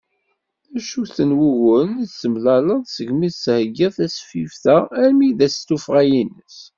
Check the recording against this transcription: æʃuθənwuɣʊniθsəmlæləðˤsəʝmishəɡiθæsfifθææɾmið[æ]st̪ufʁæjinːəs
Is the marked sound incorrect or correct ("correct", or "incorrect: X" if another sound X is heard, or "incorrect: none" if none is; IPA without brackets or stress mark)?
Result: correct